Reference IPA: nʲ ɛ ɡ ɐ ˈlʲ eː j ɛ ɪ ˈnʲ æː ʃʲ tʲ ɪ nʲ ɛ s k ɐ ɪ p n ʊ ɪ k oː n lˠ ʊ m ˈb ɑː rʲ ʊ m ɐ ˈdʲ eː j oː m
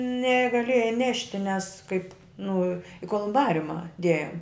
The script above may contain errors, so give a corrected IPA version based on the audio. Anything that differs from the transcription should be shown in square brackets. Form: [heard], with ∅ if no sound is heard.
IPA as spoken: nʲ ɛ ɡ ɐ ˈlʲ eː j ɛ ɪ ˈnʲ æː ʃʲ tʲ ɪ nʲ ɛ s k ɐ ɪ p n ʊ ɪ k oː [∅] lˠ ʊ m ˈb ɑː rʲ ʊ m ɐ ˈdʲ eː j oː m